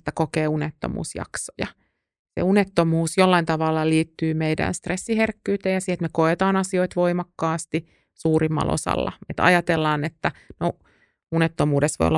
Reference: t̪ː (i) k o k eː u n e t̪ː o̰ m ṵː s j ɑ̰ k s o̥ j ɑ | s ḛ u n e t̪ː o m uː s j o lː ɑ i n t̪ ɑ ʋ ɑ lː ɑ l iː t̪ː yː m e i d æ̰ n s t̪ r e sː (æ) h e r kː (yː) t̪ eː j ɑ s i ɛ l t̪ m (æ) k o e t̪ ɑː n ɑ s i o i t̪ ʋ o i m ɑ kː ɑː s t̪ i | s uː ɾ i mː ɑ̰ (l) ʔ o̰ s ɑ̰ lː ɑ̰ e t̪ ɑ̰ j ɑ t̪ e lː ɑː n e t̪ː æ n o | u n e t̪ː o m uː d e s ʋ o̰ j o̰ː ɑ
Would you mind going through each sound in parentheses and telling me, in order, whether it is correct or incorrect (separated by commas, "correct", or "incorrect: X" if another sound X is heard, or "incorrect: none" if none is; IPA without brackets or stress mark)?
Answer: incorrect: æ, incorrect: i, correct, incorrect: e, correct